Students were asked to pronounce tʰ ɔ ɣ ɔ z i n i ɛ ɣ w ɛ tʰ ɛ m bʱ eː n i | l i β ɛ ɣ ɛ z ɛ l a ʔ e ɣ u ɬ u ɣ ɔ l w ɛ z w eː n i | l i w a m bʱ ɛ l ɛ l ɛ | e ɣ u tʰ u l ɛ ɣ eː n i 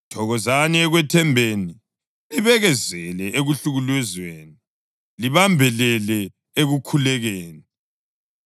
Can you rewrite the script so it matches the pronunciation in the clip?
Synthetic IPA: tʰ ɔ ɣ ɔ z a n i ɛ ɣ w ɛ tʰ ɛ m bʱ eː n i | l i β ɛ ɣ ɛ z ɛ l ɛ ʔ e ɣ u ɬ u ɣ u l w ɛ z w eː n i | l i β a m bʱ ɛ l ɛ l ɛ | e ɣ u kʰ u l ɛ ɣ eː n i